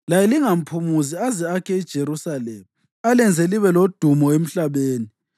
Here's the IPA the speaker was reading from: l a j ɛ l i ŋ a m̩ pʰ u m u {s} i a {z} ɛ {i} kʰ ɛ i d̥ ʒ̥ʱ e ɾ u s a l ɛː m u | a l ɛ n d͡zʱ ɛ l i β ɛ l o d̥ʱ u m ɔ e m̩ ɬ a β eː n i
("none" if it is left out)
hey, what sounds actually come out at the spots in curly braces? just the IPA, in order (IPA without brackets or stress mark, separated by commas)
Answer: z, z, a